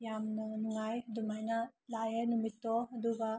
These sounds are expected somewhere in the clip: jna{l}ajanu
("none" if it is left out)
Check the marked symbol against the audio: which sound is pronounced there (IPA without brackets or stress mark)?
l